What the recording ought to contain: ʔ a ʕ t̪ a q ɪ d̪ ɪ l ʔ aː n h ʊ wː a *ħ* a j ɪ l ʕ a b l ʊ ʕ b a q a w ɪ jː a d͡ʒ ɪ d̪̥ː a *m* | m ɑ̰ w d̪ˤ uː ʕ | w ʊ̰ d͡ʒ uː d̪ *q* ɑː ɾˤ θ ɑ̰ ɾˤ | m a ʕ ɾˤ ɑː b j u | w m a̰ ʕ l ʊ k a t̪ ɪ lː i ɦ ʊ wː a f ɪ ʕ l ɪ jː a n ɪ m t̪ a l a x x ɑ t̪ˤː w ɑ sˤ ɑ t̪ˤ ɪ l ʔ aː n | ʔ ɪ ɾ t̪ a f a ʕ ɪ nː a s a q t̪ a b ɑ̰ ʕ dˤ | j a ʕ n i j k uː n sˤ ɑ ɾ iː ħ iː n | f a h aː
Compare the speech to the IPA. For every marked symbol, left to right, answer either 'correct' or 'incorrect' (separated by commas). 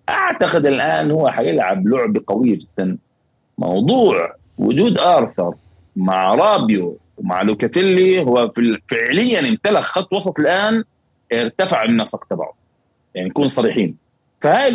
correct, incorrect, incorrect